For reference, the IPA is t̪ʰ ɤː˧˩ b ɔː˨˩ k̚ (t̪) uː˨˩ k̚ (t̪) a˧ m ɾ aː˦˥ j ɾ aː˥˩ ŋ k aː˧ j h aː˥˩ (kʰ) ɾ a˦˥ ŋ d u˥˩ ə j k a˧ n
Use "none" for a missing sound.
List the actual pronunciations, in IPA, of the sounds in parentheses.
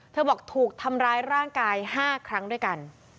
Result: t̪ʰ, t̪ʰ, kʰ

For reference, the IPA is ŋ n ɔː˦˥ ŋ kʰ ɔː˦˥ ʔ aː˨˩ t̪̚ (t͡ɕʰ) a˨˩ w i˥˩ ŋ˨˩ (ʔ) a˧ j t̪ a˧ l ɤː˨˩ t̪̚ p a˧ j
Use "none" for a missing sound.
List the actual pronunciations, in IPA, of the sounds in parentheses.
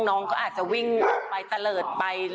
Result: t͡ɕ, p

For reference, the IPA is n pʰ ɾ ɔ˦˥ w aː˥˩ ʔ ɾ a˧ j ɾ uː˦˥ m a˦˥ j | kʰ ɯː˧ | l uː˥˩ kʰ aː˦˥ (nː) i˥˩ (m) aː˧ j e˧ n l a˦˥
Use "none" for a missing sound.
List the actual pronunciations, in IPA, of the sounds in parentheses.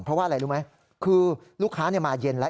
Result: n, m

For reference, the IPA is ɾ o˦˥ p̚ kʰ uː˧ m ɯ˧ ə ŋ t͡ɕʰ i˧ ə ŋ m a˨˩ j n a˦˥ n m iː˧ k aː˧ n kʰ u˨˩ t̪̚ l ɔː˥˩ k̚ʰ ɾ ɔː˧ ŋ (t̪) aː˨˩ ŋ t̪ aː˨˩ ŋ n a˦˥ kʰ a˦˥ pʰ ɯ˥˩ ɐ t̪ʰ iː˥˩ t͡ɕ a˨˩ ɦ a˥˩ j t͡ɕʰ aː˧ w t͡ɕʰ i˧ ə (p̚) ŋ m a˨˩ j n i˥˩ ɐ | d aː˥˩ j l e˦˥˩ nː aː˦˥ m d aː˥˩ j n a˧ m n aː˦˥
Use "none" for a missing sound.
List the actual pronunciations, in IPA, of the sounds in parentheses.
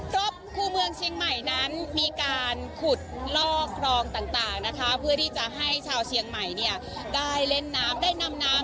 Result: t̪, none

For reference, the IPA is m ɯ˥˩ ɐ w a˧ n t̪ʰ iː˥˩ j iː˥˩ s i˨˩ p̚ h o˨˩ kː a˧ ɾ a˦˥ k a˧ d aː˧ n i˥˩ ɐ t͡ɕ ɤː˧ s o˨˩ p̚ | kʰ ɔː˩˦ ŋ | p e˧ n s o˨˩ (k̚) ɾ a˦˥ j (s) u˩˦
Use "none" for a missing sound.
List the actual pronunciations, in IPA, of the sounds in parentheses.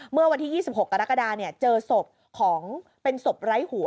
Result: p̚, h

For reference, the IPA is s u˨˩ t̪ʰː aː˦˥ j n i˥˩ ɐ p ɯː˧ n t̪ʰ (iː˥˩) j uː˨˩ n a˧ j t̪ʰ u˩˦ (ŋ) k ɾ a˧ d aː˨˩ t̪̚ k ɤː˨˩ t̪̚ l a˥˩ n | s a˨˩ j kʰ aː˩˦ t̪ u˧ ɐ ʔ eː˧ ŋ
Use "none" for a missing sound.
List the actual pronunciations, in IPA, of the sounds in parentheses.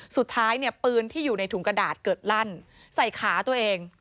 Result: iː˥˩, ŋ

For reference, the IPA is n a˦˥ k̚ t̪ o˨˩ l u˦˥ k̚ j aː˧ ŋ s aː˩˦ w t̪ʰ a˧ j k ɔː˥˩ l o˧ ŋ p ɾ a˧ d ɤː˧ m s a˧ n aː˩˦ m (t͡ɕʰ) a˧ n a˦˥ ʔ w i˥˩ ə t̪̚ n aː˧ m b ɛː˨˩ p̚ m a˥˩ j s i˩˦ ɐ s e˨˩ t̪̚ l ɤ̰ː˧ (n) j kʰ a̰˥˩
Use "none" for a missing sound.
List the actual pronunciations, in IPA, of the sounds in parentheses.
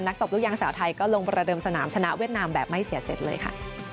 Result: t͡ɕʰ, none

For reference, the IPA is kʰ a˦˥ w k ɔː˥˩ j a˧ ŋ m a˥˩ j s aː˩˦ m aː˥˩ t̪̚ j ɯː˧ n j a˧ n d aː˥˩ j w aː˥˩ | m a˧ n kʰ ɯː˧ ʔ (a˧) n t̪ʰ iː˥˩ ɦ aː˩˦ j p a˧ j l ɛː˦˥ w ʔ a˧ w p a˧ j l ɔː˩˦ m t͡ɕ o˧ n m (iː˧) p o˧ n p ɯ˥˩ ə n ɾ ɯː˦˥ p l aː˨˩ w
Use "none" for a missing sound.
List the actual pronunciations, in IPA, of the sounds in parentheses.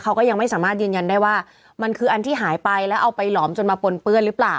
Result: a˧, aː˧

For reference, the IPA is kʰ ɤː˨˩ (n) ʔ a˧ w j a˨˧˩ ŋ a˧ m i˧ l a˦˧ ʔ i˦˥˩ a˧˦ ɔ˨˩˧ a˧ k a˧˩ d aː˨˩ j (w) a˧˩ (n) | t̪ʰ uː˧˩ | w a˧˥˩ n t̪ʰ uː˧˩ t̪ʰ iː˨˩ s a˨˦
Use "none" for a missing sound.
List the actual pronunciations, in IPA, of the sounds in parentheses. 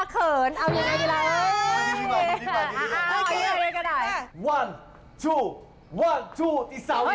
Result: n, w, n

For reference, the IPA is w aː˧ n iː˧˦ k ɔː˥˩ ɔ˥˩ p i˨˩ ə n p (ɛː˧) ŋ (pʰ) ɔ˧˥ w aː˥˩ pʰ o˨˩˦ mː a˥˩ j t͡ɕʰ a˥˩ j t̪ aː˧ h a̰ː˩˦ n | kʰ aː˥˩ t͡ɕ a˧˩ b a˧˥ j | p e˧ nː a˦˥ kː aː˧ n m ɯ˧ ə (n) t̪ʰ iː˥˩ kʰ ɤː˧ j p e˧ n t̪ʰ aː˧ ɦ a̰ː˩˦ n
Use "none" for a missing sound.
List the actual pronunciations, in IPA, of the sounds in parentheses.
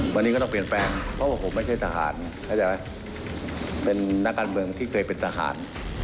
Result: ɛː˧, pʰ, ŋ

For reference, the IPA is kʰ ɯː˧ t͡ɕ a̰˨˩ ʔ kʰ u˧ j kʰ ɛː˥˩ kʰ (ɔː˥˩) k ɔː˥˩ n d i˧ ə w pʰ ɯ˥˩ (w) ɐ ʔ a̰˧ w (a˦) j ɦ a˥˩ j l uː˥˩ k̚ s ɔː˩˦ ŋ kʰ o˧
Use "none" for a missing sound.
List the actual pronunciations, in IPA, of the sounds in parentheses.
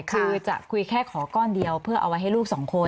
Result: ɔː˩˦, none, a˦

